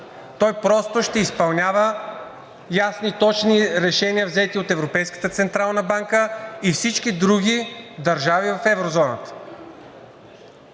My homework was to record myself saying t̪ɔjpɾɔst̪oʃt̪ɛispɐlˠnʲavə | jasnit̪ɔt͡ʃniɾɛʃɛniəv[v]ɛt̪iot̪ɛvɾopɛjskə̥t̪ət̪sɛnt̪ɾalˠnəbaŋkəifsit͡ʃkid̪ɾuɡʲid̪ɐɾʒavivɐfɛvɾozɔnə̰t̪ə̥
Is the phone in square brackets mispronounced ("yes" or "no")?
yes